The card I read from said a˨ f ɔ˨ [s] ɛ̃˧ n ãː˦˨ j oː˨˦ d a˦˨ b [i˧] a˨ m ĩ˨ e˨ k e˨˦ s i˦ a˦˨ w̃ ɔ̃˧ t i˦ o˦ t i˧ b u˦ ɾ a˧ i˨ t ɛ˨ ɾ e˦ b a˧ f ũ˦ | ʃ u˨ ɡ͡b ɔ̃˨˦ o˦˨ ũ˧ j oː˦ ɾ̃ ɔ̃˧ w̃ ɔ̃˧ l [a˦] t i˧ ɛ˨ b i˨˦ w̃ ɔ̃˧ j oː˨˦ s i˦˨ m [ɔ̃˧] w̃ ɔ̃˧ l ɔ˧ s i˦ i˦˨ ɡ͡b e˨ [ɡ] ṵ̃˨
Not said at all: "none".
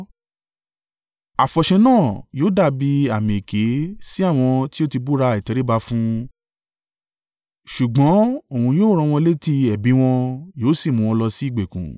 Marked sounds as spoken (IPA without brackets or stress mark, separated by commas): ʃ, i˧, e˦, ũ˧, k